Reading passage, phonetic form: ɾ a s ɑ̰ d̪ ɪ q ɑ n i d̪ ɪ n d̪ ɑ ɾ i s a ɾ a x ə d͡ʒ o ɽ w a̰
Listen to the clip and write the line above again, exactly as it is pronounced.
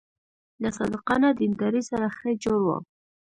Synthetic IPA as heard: l a s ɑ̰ d̪ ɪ q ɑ n a d̪ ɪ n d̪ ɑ ɾ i s a ɾ a x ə d͡ʒ o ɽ w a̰

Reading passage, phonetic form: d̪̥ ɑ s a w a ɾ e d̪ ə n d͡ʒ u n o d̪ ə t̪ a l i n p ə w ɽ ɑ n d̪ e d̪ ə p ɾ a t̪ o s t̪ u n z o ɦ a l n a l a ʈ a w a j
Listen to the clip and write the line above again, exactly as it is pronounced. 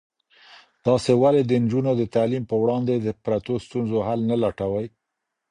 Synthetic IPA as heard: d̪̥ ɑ s e w a l e d̪ ə n d͡ʒ u n o d̪ ə t̪ a l i m p ə w ɽ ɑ n d̪ e d̪ ə p ɾ a t̪ o s t̪ u n z o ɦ a l n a l a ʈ a w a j

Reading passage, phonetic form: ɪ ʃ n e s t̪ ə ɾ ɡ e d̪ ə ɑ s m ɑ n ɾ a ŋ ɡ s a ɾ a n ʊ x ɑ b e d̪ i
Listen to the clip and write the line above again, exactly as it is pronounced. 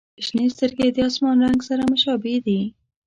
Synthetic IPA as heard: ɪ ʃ n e s t̪ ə ɾ ɡ e d̪ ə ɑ s m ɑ n ɾ a ŋ ɡ s a ɾ a m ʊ ʃ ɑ b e d̪ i

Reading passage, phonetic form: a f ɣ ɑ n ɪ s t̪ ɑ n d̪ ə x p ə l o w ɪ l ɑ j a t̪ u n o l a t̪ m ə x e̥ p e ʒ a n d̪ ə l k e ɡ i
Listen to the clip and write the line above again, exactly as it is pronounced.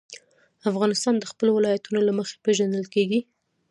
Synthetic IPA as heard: a f ɣ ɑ n ɪ s t̪ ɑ n d̪ ə x p ə l o w ɪ l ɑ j a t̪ u n o l a m ə x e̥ p e ʒ a n d̪ ə l k e ɡ i

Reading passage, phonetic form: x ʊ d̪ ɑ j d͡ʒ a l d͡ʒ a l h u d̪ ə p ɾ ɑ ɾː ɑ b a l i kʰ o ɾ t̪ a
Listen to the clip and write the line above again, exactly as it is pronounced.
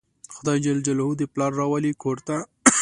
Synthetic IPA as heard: x ʊ d̪ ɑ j d͡ʒ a l d͡ʒ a l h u d̪ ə p l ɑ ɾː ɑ w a l i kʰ o ɾ t̪ a

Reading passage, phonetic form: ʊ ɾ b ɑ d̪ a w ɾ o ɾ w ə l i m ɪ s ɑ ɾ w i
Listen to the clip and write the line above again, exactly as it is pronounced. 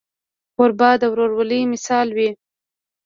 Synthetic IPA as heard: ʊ ɾ b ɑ d̪ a w ɾ o ɾ w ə l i m ɪ s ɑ l w i

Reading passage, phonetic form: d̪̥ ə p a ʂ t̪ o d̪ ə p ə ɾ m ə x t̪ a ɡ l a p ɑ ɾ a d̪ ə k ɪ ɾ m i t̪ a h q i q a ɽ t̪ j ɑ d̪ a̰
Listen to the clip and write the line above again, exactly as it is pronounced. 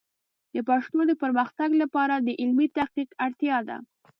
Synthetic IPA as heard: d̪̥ ə p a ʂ t̪ o d̪ ə p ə ɾ m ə x t̪ a ɡ l a p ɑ ɾ a d̪ ə ʔ ɪ l m i t̪ a h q i q a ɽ t̪ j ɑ d̪ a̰

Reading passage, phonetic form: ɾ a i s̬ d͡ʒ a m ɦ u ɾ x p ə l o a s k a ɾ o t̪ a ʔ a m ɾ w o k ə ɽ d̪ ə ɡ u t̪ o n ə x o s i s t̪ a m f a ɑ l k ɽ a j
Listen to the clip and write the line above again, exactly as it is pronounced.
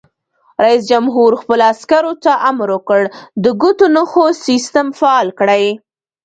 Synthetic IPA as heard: ɾ a i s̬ d͡ʒ a m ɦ u ɾ x p ə l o a s k a ɾ o t̪ a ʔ a m ɾ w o k ə ɽ d̪ ə ɡ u t̪ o n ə x o s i s t̪ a m f a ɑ l k ɽ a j

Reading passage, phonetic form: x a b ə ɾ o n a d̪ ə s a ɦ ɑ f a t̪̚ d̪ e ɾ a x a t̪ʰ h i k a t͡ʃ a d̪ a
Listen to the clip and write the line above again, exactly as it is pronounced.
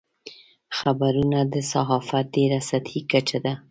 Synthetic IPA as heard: x a b a ɾ u n a d̪ ə s a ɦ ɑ f a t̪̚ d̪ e ɾ a s a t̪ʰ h i k a t͡ʃ a d̪ a

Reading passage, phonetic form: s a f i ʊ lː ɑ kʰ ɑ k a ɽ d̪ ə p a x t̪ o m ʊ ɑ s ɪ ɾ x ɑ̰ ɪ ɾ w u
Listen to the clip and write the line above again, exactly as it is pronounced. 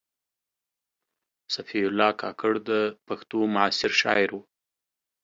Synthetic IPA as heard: s a f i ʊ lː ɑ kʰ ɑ k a ɽ d̪ ə p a x t̪ o m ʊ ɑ s ɪ ɾ ʃ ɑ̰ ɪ ɾ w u

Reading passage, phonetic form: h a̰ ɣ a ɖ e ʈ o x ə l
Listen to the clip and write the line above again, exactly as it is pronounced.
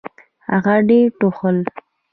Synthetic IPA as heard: h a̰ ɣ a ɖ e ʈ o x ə l

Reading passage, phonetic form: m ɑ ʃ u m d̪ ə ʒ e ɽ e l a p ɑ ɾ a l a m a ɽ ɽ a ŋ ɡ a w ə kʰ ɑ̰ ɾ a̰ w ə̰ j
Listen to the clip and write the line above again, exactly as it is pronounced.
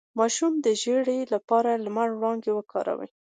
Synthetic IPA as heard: m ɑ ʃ u m d̪ ə ʒ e ɽ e l a p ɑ ɾ a l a m a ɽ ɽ ɑ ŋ ɡ e w ə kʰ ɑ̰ ɾ a̰ w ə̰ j

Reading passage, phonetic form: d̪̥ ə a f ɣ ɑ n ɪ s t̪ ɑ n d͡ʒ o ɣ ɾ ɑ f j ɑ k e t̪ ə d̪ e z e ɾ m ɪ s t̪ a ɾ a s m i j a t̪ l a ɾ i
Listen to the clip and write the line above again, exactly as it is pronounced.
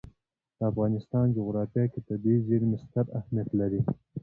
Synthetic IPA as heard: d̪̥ ə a f ɣ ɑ n ɪ s t̪ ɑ n d͡ʒ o ɣ ɾ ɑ f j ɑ k e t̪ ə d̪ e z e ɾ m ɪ s t̪ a ɾ a h m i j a t̪ l a ɾ i

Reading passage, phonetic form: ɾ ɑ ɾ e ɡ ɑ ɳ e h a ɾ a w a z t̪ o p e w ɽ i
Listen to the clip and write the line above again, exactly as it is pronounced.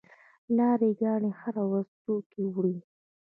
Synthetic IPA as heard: l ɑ ɾ e ɡ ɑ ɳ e h a ɾ a w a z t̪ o k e w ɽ i

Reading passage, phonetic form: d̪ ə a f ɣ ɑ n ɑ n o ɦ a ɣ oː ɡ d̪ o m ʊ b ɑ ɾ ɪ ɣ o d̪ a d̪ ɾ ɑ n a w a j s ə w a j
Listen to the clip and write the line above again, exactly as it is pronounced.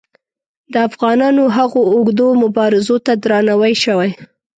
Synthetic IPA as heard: d̪ ə a f ɣ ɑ n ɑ n o ɦ a ɣ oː ɡ d̪ o m ʊ b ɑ ɾ ɪ z o t̪ a d̪ ɾ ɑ n a w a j ʃ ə w a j

